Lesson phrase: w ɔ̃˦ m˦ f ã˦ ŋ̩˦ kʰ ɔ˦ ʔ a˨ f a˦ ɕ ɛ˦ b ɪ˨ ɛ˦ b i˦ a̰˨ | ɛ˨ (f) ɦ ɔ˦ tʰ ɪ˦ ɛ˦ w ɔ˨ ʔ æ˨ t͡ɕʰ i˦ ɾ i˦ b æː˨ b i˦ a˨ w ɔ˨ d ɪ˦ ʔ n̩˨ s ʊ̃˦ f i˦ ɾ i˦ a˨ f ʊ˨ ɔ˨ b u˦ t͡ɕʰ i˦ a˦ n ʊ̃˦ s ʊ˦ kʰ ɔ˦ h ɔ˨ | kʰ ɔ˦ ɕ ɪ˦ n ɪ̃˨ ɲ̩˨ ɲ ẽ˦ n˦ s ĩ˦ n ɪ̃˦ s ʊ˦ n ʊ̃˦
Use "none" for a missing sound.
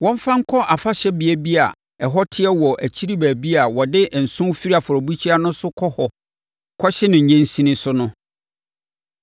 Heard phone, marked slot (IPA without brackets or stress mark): none